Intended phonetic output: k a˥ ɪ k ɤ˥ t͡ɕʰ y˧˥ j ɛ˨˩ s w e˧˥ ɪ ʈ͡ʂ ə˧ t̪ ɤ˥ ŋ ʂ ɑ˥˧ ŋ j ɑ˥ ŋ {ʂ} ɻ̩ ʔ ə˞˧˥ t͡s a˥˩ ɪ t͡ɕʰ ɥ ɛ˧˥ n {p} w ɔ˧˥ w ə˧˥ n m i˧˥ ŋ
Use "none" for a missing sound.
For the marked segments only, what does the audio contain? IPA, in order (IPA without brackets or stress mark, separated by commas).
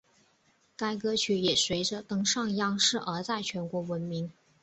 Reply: ʂ, k